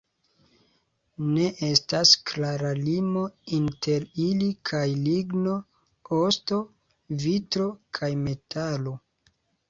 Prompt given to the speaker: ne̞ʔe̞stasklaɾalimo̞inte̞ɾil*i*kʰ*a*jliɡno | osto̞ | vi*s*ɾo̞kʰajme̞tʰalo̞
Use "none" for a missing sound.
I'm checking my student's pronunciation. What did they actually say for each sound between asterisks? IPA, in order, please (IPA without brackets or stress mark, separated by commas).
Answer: i, a, t